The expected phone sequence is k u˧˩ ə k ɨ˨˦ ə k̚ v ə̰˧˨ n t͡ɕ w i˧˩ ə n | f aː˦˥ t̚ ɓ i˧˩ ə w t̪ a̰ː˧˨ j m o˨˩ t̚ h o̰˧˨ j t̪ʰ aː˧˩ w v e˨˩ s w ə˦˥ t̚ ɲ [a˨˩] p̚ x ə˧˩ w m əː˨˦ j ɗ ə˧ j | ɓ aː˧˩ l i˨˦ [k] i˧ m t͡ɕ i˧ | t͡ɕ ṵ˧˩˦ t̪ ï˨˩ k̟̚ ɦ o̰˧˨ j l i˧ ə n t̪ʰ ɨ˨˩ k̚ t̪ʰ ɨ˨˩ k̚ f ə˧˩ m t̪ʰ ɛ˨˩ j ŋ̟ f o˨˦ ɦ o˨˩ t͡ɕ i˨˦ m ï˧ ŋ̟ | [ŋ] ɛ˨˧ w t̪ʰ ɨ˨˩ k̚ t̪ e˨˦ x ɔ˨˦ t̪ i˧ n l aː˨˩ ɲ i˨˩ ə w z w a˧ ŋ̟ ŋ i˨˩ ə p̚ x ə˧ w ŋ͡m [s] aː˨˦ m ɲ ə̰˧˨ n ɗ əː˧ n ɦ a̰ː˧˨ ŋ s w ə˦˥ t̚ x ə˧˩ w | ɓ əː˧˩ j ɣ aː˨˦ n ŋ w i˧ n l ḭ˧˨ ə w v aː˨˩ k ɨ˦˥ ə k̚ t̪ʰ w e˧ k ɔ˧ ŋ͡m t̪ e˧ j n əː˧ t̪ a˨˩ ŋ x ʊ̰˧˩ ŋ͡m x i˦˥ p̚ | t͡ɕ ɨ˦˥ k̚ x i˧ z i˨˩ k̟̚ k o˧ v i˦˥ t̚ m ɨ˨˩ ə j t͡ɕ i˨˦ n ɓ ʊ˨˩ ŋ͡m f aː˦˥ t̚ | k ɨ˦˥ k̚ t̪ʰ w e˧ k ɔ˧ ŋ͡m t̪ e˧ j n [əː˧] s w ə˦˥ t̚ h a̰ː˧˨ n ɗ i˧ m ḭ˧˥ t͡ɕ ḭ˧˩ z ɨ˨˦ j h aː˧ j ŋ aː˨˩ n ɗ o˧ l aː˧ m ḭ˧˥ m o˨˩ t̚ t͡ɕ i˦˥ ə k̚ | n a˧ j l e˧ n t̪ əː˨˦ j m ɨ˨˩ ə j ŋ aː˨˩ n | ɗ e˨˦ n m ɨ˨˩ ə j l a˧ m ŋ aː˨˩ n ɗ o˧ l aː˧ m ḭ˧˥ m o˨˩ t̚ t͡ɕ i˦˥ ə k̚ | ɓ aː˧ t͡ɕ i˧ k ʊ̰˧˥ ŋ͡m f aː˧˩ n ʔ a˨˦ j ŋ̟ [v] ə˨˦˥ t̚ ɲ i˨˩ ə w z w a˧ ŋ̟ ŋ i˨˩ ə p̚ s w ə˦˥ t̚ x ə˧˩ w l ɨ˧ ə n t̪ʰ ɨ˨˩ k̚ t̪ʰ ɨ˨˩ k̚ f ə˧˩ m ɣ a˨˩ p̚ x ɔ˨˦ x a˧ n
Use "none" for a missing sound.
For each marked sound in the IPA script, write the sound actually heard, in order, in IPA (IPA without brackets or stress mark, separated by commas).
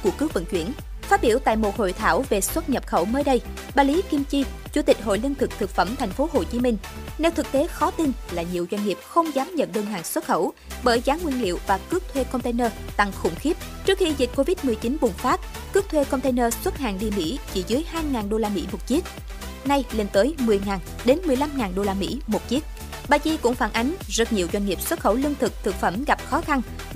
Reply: ə˨˩, k, n, z, əː˧, z